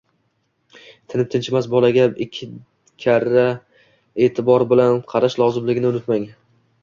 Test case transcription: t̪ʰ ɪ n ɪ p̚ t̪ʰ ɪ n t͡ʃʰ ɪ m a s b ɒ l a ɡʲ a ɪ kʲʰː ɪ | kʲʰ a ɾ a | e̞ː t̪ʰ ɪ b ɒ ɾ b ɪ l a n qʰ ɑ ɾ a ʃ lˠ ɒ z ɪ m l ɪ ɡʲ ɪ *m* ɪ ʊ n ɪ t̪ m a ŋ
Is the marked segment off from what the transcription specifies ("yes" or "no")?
yes